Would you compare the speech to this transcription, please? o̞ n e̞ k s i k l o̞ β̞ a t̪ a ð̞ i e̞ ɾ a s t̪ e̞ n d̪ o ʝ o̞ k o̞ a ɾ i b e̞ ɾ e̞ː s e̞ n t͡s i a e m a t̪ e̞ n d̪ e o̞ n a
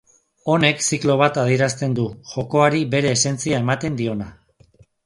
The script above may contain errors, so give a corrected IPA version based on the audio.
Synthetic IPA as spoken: o̞ n e̞ k s i k l o̞ β̞ a t̪ a ð̞ i e̞ ɾ a s t̪ e̞ n d̪ u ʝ o̞ k o̞ a ɾ i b e̞ ɾ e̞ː s e̞ n t͡s i a e m a t̪ e̞ n d̪ i o̞ n a